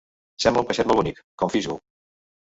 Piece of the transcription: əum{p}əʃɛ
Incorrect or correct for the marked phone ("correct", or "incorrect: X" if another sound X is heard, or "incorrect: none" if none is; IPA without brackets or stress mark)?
correct